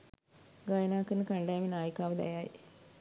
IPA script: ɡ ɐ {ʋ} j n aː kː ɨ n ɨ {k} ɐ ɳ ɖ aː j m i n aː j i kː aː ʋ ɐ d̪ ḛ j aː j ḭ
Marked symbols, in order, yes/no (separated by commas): no, yes